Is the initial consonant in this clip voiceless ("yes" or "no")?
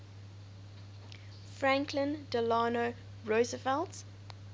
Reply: yes